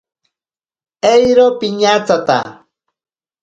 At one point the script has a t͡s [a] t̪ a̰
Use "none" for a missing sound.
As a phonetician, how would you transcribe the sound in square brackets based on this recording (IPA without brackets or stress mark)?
a